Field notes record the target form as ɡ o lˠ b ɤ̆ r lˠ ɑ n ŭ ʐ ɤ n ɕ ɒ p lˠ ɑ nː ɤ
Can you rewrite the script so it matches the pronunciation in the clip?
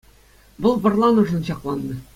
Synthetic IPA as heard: b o lˠ b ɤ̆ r lˠ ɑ n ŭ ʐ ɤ n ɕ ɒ q lˠ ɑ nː ɤ